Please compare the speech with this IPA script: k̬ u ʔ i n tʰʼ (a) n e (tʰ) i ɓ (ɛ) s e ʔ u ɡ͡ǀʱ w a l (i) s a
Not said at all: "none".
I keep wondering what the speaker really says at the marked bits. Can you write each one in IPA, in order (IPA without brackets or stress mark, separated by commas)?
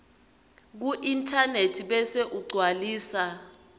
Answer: a, tʰ, ɛ, iː